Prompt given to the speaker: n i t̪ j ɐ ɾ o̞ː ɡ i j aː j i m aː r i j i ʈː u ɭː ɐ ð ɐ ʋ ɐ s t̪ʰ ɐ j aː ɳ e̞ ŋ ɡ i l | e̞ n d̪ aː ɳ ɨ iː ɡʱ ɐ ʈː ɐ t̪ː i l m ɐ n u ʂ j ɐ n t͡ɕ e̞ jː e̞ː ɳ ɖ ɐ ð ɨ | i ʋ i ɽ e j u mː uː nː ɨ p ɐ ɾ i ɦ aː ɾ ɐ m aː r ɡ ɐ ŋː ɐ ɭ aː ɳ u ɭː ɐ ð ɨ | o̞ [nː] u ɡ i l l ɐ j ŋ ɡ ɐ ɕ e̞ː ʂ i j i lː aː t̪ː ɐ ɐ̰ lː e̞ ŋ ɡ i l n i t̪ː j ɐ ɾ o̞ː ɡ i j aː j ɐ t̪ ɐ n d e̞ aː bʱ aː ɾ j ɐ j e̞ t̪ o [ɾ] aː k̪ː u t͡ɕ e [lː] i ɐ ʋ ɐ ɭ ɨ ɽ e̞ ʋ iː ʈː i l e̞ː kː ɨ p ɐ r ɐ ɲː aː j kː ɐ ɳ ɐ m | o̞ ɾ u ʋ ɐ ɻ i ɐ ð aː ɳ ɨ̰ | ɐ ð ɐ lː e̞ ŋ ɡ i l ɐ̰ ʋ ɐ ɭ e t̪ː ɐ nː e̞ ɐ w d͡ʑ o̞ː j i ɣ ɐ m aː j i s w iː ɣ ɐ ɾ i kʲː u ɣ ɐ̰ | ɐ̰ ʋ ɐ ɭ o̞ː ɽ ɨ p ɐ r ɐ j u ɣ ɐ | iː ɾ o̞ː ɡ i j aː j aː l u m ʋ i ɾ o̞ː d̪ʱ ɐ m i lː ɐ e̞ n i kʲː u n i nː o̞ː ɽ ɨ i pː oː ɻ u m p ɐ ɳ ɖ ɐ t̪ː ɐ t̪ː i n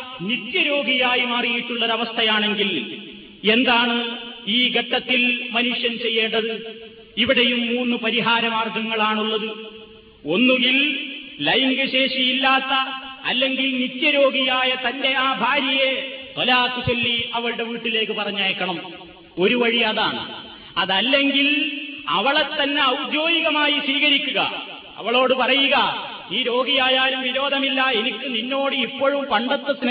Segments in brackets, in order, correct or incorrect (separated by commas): correct, incorrect, correct